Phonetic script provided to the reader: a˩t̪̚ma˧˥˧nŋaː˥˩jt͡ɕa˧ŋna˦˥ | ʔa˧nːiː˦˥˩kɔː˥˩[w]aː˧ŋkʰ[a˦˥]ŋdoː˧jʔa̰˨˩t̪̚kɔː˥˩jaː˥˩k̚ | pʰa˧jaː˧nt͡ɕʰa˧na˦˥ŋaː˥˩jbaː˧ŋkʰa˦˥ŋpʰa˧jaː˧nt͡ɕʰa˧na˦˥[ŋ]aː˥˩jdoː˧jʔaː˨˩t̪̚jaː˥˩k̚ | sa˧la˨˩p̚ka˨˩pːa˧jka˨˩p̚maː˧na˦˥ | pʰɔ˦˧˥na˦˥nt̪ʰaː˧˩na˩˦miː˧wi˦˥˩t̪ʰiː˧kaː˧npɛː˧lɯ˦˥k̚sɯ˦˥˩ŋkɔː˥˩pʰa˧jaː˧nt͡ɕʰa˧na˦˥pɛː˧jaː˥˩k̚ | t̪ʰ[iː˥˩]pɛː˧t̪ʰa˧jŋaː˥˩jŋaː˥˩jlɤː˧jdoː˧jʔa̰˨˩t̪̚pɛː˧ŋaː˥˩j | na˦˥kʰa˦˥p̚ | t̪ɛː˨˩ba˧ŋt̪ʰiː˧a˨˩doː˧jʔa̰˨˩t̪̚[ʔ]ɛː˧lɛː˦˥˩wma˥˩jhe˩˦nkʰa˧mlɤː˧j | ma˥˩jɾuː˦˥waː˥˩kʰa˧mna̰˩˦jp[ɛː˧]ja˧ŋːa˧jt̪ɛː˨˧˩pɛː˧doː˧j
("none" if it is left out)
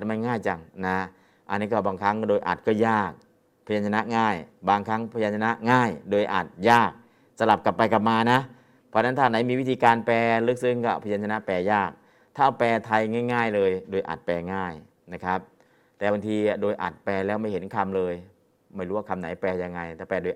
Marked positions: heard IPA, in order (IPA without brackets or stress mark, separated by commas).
b, a˦˥, ŋ, aː˥˩, p, ɛː˧